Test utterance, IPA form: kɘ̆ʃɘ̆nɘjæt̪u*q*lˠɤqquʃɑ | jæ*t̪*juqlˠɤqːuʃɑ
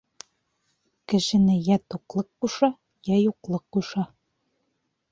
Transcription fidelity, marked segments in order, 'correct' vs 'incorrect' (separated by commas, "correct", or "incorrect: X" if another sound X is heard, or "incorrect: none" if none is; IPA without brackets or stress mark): correct, incorrect: none